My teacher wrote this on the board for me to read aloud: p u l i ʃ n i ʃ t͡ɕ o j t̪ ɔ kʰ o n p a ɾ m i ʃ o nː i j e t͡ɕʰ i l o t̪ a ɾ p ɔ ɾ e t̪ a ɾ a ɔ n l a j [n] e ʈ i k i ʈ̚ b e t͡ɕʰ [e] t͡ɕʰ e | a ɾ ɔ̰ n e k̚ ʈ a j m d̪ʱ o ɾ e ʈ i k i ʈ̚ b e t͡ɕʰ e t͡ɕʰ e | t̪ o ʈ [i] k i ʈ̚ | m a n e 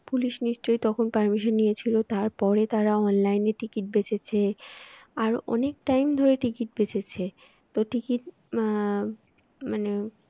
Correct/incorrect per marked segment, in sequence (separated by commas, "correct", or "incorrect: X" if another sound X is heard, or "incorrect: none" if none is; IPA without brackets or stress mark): correct, correct, correct